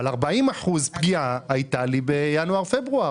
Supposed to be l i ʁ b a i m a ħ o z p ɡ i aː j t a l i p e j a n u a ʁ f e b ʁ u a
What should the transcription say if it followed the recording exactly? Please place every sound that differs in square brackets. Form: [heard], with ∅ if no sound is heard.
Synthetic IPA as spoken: l [a] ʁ b a i m a ħ [u] z p ɡ i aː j t a l i [b] e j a n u a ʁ f e b ʁ u a